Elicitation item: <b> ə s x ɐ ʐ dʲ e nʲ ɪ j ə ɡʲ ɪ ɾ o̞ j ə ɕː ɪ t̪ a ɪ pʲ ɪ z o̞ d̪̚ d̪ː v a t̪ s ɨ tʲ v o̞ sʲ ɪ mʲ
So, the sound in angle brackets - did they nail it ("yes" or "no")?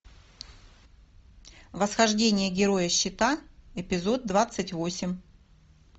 no